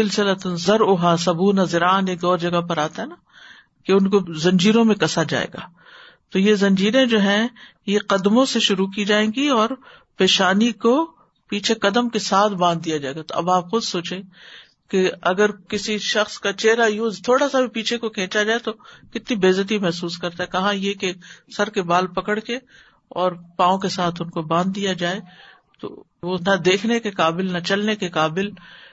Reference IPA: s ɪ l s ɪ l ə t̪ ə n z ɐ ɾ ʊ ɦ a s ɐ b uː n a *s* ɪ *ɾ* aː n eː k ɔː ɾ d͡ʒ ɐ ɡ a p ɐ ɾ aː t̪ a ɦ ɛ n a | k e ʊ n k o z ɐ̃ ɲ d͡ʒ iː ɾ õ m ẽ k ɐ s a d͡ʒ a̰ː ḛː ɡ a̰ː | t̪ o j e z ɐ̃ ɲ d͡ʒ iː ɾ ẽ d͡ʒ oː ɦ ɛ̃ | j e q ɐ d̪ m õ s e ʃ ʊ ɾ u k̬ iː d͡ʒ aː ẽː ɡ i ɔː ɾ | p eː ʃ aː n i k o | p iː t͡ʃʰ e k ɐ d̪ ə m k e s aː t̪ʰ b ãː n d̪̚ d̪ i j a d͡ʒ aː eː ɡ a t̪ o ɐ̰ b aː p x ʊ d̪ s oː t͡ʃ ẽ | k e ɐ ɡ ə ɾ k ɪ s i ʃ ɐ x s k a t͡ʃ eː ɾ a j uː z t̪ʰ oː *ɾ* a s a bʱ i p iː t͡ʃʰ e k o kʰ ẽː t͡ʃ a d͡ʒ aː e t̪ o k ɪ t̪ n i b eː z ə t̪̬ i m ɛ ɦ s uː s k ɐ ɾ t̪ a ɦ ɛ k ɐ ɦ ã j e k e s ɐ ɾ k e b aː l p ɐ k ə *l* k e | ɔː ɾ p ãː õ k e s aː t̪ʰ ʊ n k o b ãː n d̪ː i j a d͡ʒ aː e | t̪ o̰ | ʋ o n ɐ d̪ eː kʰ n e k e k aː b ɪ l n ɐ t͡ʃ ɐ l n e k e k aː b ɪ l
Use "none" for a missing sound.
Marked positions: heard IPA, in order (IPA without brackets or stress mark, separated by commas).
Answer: z, ɾ, ɽ, ɽ